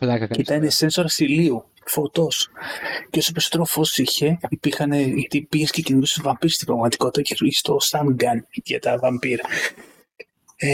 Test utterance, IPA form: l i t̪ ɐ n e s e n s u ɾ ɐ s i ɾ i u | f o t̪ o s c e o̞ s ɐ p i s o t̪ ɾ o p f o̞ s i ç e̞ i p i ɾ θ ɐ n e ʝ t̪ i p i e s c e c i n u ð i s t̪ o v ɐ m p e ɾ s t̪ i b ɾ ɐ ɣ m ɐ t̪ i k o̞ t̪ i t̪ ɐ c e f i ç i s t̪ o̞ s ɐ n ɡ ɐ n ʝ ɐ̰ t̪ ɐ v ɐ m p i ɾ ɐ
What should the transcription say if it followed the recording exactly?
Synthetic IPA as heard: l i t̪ ɐ n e s e n s o ɾ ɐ s i l i u | f o t̪ o s c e o̞ s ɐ p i s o t̪ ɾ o f o̞ s i ç e̞ i p i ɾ x ɐ n e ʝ t̪ i p i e s c e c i n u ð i s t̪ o v ɐ m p i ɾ s t̪ i b ɾ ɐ ɣ m ɐ t̪ i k o̞ t̪ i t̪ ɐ c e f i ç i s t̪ o̞ s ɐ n ɡ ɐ n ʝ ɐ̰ t̪ ɐ v ɐ m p i ɾ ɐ